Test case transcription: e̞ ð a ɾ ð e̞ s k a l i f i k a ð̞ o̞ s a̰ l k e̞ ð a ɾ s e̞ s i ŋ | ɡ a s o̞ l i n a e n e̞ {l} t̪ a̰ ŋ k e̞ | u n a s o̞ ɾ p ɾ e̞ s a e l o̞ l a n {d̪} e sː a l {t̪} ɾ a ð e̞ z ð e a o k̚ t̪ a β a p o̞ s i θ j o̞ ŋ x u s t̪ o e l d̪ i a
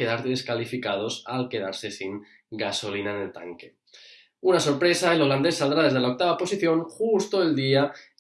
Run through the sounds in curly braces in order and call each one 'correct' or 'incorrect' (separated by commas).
correct, correct, incorrect